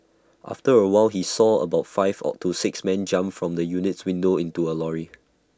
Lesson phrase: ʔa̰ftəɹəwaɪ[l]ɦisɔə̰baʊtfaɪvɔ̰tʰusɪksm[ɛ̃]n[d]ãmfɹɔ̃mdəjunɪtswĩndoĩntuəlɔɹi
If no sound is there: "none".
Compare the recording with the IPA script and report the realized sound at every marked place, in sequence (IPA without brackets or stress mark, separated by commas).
l, ɛ̃, d͡ʒ